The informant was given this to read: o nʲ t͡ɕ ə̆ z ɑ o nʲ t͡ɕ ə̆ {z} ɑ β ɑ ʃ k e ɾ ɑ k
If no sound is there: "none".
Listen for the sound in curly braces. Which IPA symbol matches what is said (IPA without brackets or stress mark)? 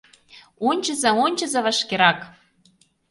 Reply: z